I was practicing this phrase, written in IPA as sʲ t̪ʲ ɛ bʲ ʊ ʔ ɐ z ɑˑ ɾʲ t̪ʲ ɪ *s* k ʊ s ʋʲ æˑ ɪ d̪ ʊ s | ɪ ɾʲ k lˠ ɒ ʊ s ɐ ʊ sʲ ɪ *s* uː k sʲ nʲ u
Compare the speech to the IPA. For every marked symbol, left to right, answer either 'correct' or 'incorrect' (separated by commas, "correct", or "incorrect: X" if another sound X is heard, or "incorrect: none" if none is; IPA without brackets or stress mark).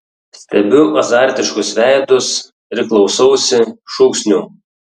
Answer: incorrect: ʃ, incorrect: ʃ